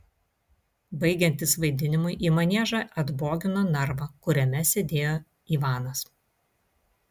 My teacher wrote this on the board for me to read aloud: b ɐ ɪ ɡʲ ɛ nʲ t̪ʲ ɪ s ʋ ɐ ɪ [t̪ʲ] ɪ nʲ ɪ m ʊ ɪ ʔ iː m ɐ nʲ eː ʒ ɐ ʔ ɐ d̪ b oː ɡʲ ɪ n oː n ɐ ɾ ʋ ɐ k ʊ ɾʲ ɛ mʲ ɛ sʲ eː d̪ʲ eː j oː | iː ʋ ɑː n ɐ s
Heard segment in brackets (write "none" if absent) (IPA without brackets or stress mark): d̪ʲ